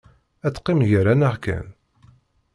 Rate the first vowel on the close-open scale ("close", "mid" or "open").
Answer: open